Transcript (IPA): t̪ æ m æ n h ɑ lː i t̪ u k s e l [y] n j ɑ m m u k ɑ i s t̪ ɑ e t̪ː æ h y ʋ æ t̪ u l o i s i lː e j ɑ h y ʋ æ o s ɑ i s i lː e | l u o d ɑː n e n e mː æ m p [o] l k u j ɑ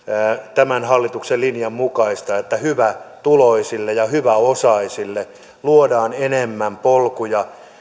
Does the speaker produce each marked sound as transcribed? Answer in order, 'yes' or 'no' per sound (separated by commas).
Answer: no, yes